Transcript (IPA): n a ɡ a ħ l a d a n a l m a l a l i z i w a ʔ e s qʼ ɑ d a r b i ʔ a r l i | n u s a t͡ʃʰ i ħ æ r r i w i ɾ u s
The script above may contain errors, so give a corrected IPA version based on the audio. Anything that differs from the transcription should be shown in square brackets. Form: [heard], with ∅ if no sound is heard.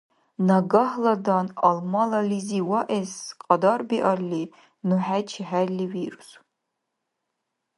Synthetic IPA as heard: n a ɡ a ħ l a d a n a l m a l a l i z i w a ʔ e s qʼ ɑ d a r b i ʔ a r l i | n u [ħ] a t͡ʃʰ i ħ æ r [l] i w i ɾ u s